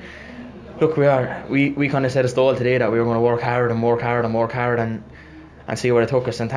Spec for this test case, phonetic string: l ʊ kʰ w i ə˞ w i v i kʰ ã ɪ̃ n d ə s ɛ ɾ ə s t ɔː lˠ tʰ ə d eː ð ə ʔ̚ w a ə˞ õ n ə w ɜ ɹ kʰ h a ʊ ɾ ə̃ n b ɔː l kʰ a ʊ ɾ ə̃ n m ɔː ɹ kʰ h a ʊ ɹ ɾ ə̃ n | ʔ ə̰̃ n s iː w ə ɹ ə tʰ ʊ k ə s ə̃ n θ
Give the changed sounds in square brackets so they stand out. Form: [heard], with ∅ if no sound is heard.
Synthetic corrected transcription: l ʊ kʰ w i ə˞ w i [w] i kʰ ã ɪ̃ n d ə s ɛ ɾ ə s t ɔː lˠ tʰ ə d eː ð ə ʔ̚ w [i] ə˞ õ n ə w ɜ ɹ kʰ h a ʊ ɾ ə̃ n [m] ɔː [ɹ] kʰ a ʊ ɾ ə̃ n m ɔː ɹ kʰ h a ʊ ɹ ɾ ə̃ n | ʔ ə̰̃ n s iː w ə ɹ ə tʰ ʊ k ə s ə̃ n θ